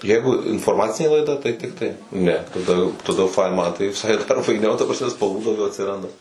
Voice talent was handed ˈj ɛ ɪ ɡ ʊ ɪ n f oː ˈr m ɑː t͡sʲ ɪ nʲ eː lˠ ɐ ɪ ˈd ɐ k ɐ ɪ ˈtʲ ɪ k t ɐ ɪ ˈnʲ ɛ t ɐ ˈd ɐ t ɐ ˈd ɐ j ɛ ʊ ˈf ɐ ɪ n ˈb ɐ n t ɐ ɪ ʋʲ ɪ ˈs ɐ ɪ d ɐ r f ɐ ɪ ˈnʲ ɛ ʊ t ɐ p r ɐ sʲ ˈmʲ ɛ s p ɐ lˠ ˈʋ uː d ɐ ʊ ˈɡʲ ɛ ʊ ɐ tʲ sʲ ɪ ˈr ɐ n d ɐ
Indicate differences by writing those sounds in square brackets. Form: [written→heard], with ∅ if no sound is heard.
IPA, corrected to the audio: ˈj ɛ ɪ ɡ ʊ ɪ n f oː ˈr m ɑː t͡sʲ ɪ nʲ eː lˠ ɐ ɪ ˈd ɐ [k→t] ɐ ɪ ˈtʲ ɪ k t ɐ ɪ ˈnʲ ɛ t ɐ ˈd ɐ t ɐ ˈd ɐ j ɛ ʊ ˈf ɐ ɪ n [ˈb→ˈm] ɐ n t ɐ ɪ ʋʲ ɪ ˈs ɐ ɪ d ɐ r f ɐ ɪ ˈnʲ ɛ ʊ t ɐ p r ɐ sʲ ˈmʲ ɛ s p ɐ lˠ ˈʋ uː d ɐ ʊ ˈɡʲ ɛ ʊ ɐ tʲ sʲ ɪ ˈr ɐ n d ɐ